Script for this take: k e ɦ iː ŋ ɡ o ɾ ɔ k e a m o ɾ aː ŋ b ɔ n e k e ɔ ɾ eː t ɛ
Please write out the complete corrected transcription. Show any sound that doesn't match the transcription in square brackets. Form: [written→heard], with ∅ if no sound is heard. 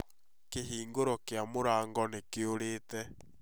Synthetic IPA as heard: k e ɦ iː ŋ ɡ o ɾ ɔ k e a m o ɾ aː ŋ [b→ɡ] ɔ n e k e [ɔ→o] ɾ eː t ɛ